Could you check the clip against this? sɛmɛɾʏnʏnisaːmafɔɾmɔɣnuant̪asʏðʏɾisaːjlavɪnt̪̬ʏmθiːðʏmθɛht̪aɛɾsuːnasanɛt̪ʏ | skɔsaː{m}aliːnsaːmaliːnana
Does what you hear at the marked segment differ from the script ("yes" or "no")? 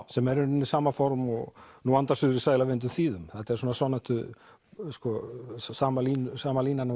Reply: no